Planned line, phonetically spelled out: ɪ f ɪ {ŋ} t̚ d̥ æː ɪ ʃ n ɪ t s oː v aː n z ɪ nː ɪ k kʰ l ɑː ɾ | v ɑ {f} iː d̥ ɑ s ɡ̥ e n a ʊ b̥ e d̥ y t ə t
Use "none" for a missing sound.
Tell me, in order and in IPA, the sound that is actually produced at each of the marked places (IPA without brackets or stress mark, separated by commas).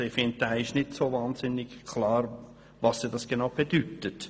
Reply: n, s